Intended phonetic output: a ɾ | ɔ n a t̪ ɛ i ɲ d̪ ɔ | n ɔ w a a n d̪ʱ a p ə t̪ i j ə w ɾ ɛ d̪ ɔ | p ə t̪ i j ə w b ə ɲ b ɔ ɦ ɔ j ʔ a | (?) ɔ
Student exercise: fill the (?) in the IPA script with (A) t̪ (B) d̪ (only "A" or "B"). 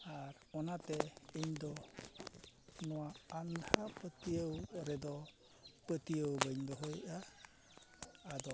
B